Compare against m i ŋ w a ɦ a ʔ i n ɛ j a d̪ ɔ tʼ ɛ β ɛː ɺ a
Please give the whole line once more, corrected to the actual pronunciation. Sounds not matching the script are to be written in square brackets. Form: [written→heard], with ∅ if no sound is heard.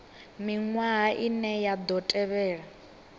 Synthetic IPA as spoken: m i ŋ w a ɦ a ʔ i n ɛ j a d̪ ɔ tʼ ɛ β ɛː ɺ a